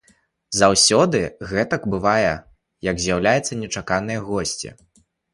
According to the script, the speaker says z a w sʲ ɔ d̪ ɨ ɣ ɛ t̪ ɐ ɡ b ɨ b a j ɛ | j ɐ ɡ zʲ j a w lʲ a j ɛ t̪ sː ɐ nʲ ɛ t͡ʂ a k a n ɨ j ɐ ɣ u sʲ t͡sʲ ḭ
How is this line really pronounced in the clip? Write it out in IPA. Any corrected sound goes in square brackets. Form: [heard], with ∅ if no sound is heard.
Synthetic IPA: z a w sʲ ɔ d̪ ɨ ɣ ɛ t̪ ɐ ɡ b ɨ [v] a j ɛ | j ɐ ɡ zʲ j a w lʲ a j ɛ t̪ sː ɐ nʲ ɛ t͡ʂ a k a n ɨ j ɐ ɣ [ɔ] sʲ t͡sʲ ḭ